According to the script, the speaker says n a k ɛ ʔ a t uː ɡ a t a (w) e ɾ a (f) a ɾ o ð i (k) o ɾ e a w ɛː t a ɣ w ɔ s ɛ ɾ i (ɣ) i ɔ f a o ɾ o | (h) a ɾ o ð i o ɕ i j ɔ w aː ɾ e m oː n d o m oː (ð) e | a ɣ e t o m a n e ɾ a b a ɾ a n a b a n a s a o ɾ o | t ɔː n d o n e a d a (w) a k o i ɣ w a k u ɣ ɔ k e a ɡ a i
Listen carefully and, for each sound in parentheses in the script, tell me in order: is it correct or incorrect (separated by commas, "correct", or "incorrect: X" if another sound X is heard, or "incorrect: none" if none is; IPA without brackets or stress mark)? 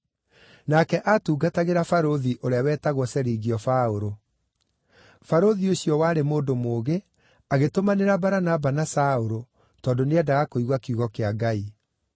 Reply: incorrect: ɣ, correct, incorrect: ʔ, correct, incorrect: f, incorrect: ɣ, incorrect: ɣ